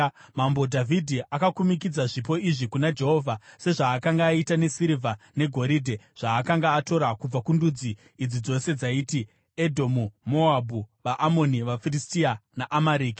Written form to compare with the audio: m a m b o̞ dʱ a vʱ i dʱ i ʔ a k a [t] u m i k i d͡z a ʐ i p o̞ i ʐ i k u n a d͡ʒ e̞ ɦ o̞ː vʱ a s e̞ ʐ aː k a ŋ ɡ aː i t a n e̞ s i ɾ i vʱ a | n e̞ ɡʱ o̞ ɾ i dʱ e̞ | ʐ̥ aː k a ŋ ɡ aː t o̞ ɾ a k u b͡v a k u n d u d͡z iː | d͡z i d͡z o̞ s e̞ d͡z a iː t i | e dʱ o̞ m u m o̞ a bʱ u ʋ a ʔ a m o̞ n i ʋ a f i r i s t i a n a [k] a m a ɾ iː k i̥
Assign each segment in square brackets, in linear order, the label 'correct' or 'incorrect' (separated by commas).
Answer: incorrect, incorrect